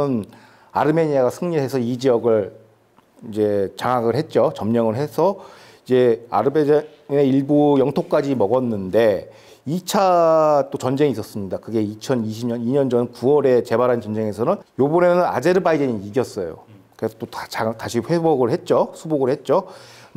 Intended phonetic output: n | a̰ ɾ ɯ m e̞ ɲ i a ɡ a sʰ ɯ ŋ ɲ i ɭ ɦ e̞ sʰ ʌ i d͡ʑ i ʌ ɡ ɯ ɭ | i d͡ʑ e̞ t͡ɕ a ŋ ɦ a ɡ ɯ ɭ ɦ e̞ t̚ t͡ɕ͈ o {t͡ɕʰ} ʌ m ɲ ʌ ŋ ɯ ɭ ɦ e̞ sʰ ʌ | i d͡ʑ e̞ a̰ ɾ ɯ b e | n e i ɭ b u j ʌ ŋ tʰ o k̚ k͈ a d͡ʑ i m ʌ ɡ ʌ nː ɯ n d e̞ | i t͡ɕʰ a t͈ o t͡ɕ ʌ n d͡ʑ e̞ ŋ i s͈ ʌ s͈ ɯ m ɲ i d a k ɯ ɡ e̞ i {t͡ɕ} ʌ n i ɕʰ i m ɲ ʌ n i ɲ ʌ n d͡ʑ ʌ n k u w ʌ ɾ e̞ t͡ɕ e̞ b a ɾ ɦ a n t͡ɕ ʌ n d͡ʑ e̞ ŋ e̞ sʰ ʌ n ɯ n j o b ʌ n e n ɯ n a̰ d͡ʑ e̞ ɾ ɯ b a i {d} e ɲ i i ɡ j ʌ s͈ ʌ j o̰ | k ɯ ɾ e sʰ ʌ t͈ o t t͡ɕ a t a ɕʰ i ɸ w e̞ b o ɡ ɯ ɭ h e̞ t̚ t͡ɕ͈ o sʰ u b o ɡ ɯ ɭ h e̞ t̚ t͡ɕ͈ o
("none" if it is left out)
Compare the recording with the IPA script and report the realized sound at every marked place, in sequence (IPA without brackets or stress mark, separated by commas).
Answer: t͡ɕ, t͡ɕʰ, d